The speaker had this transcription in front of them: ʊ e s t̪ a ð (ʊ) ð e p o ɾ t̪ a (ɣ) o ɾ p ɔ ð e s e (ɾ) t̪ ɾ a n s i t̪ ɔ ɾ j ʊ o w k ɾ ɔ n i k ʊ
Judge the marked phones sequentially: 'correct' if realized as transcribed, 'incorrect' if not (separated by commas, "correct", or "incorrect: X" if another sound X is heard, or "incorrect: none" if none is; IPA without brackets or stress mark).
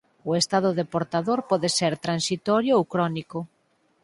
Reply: correct, incorrect: ð, correct